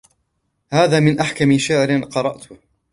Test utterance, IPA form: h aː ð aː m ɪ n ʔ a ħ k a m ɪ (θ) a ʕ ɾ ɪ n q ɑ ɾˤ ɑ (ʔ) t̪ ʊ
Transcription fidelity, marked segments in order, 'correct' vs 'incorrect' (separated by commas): incorrect, correct